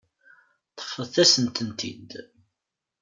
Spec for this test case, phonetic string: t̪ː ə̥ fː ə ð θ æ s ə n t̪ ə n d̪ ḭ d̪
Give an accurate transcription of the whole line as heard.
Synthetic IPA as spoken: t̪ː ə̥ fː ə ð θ æ s ə n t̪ ə n t̪ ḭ d̪